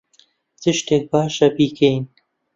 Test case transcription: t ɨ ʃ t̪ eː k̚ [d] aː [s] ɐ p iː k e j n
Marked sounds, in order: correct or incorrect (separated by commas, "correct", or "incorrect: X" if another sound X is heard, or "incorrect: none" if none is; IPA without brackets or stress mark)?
incorrect: b, incorrect: ʃ